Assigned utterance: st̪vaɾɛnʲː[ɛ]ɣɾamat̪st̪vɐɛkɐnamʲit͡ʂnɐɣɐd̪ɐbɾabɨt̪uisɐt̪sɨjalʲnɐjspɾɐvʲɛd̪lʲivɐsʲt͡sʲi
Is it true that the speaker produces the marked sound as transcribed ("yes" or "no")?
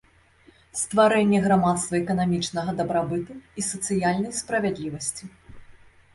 yes